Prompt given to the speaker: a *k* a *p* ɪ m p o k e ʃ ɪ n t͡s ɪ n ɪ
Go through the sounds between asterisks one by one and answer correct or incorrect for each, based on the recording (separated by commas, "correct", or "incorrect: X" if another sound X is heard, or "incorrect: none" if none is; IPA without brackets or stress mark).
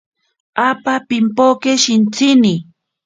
incorrect: p, correct